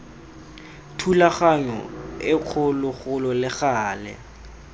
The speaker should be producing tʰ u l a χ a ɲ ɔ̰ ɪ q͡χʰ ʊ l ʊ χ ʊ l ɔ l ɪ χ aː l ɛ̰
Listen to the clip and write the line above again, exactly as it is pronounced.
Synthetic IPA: tʰ u l a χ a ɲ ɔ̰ ɪ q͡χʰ ʊ l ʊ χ ʊ l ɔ l ɪ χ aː l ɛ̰